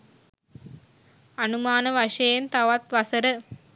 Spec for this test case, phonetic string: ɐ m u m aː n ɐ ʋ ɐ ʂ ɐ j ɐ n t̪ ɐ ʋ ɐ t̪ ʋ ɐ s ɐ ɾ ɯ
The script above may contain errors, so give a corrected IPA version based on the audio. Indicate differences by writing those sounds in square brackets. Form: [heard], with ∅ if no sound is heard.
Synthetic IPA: ɐ [n] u m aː n ɐ ʋ ɐ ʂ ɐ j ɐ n t̪ ɐ ʋ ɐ t̪ ʋ ɐ s ɐ ɾ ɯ